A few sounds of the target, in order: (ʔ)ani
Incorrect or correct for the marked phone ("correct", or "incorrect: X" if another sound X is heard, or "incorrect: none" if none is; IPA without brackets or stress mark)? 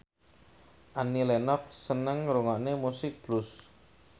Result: correct